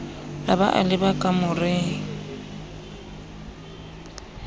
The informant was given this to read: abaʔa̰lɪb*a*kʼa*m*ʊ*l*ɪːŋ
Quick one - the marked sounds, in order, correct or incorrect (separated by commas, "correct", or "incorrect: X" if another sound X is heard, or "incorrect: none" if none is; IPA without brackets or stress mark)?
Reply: correct, correct, incorrect: r